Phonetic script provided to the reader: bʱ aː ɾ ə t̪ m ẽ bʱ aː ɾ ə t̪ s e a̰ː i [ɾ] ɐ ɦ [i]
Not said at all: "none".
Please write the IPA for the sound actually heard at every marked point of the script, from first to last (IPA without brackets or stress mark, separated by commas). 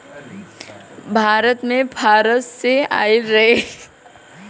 ɾ, e